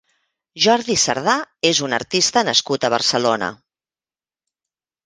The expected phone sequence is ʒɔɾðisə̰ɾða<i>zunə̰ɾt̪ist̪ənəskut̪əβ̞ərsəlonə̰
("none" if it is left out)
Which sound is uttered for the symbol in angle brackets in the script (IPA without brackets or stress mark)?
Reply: e